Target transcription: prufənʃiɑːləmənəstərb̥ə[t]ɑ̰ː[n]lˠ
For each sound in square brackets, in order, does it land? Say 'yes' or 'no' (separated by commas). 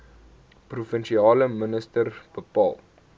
no, no